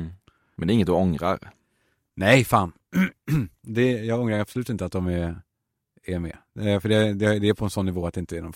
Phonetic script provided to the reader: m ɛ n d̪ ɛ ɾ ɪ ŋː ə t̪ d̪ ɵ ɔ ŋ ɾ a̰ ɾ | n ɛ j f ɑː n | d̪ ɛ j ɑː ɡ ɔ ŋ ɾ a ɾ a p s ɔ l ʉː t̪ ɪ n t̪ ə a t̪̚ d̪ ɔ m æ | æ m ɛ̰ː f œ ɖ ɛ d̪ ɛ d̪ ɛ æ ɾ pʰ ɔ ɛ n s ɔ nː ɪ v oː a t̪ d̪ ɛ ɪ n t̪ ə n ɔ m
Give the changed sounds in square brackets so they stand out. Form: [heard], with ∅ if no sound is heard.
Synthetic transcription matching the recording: m ɛ n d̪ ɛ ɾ ɪ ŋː ə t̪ d̪ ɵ ɔ ŋ ɾ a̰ ɾ | n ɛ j f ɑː n | d̪ ɛ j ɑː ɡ ɔ ŋ ɾ a ɾ a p s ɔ l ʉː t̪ ɪ n t̪ ə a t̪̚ d̪ ɔ m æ | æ m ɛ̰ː f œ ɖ ɛ d̪ ɛ d̪ ɛ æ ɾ pʰ ɔ ɛ n s ɔ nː ɪ v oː a t̪ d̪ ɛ ɪ n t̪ ə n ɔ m